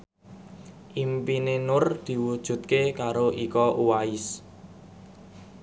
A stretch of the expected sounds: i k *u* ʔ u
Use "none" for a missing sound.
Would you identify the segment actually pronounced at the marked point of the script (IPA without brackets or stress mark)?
ɔ